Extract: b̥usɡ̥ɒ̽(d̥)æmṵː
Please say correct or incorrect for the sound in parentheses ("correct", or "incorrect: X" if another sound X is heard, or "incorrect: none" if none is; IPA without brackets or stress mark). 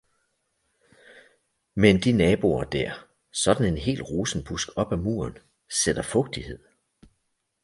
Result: incorrect: b̥